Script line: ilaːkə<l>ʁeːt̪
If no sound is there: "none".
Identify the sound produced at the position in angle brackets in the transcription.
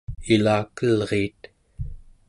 l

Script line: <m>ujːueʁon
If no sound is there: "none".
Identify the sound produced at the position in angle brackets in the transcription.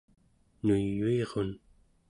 n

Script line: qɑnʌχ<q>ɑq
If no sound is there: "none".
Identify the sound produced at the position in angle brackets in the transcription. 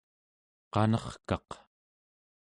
k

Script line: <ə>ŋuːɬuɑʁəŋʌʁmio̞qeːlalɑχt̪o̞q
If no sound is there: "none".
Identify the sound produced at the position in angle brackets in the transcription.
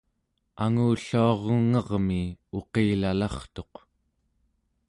a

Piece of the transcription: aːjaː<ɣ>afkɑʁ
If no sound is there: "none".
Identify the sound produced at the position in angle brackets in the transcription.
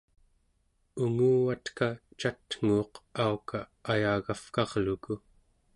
ɣ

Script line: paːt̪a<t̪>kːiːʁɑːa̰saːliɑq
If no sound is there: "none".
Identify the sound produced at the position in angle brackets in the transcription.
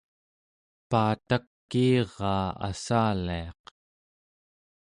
none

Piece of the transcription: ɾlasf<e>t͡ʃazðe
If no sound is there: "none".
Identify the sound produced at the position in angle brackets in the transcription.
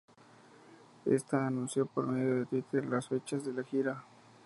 e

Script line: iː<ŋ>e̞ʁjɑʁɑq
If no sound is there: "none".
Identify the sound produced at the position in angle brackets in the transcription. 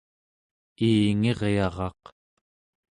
ŋ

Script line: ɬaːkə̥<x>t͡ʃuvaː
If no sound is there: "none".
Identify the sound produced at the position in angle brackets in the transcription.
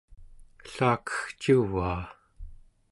x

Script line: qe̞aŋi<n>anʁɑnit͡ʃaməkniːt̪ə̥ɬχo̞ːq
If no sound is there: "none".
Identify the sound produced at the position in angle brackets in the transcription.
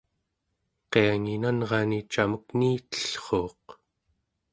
n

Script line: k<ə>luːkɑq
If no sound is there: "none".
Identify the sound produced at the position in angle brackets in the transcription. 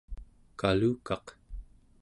a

